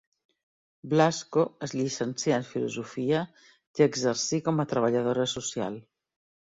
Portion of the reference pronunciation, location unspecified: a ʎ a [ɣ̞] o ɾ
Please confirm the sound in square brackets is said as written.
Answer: no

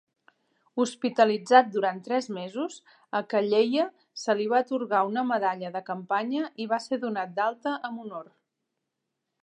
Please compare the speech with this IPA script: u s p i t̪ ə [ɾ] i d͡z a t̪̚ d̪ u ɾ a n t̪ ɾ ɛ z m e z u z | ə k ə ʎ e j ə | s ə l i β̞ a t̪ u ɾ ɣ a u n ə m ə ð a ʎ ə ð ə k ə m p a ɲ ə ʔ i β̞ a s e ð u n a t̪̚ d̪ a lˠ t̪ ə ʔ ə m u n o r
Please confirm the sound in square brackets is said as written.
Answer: no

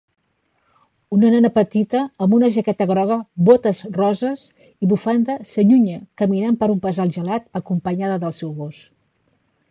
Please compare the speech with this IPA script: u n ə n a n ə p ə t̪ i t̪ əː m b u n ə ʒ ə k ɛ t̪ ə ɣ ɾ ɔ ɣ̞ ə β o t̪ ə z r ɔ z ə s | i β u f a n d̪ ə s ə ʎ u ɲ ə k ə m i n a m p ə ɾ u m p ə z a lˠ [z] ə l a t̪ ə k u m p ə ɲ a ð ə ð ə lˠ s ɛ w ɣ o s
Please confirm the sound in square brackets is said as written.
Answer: no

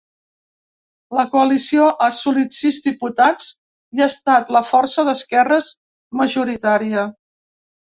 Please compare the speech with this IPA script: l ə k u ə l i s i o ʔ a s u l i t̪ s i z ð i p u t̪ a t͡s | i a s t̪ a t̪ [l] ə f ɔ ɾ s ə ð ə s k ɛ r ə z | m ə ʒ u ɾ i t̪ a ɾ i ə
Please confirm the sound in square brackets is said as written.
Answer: yes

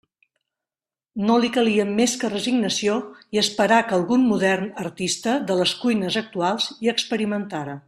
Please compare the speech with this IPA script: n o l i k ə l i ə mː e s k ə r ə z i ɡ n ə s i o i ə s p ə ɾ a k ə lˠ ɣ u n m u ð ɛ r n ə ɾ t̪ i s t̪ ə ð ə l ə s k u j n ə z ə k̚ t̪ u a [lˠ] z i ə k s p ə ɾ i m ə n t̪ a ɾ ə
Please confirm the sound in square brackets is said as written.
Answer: yes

